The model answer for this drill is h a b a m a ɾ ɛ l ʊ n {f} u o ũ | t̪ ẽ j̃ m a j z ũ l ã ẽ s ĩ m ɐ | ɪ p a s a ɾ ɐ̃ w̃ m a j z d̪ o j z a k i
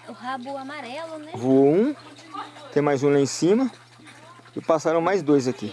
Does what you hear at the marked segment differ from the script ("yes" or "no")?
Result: yes